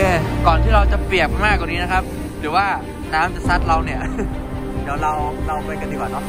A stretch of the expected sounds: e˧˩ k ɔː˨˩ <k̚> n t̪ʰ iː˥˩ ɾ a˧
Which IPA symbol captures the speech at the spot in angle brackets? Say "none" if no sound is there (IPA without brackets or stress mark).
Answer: none